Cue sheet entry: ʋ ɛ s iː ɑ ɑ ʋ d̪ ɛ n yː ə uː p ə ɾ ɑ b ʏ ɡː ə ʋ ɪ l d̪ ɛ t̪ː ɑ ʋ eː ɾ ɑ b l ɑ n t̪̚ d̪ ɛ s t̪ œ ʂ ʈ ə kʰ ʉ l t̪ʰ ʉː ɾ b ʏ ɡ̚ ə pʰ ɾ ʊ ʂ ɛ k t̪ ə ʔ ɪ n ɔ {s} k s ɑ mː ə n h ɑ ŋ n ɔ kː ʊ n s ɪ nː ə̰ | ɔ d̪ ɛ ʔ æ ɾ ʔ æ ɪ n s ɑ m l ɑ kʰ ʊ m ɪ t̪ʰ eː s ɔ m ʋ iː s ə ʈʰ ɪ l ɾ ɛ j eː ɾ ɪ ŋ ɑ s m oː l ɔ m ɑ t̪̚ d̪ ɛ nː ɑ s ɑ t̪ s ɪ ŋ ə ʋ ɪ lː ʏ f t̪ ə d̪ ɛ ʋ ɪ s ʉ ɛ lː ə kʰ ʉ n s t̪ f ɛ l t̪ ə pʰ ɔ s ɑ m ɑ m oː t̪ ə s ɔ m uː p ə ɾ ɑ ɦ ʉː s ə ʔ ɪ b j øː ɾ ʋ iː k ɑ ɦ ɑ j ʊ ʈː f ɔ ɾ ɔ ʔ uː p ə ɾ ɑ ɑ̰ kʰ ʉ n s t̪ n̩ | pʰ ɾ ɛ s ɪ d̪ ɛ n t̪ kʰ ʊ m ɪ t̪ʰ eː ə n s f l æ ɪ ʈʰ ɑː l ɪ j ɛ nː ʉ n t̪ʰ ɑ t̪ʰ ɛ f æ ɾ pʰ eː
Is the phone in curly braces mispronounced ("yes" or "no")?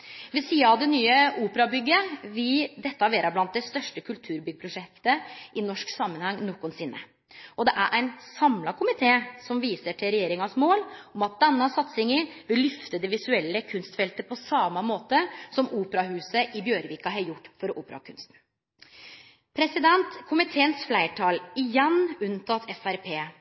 yes